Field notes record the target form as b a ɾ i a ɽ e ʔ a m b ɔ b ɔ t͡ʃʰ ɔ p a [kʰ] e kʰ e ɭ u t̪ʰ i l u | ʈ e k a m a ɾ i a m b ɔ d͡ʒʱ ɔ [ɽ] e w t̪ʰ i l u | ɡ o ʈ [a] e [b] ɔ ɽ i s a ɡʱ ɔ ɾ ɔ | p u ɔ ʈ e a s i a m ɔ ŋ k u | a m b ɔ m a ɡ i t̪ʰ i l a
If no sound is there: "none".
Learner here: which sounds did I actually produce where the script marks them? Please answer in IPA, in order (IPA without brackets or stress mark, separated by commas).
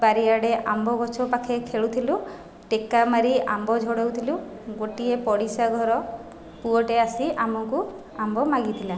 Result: kʰ, ɽ, i, p